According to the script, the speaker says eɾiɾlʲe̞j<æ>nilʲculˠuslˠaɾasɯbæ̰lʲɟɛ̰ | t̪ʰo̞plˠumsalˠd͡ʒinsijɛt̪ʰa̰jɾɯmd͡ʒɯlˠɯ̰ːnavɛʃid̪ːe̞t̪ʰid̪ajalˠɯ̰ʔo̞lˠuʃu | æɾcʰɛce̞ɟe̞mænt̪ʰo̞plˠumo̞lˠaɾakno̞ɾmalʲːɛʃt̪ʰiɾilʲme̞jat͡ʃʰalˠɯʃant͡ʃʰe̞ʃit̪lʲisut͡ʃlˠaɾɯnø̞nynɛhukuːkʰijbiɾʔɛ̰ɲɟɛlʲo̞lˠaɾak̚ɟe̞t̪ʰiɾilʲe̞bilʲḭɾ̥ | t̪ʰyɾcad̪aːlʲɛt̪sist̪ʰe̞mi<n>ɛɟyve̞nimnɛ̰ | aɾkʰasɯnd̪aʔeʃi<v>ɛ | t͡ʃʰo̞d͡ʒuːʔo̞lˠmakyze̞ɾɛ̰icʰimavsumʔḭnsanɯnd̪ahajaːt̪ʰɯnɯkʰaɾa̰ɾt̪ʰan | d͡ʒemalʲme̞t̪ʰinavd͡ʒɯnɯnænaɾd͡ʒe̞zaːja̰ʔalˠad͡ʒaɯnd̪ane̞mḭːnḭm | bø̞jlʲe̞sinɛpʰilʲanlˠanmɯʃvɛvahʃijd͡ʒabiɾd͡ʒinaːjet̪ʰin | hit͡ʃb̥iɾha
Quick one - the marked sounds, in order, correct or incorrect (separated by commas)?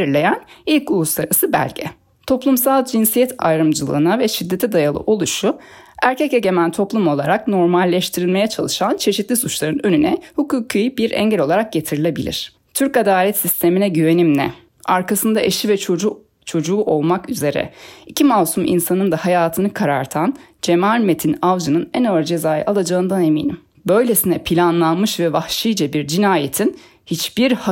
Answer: correct, correct, correct